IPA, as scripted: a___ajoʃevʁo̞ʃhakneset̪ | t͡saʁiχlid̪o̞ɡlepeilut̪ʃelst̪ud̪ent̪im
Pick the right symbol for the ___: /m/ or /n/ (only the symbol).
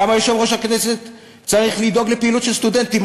m